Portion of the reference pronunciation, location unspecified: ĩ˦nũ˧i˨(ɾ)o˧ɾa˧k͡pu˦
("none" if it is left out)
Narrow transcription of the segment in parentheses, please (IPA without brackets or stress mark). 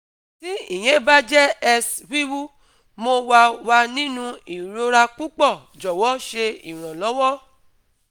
ɾ